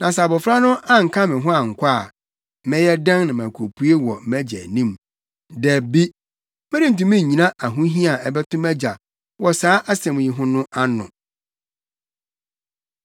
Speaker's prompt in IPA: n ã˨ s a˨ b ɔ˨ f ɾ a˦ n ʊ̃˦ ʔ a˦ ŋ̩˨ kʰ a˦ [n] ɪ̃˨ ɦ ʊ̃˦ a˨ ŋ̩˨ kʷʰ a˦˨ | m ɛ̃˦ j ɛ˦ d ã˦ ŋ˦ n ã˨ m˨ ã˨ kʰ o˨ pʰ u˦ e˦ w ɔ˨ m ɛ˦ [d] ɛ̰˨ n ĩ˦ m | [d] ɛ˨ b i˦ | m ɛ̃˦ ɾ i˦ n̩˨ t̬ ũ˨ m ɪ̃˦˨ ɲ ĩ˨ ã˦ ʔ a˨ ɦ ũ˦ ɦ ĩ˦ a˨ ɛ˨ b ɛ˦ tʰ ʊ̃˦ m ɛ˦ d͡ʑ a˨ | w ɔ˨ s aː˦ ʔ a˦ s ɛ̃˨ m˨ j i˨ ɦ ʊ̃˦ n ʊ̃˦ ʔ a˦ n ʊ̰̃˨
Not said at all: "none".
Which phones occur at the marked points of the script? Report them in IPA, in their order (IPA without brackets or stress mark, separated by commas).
m, d͡ʑ, d